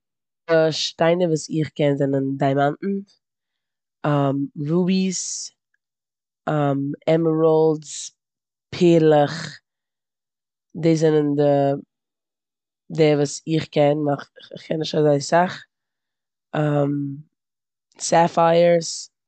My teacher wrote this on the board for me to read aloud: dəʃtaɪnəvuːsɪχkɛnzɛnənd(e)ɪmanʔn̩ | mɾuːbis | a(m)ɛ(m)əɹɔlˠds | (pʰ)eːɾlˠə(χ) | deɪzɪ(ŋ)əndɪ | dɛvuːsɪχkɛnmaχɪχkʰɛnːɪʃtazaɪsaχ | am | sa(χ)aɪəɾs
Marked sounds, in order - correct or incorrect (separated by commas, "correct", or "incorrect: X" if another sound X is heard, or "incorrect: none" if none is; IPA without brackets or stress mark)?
incorrect: a, correct, correct, correct, correct, incorrect: n, incorrect: f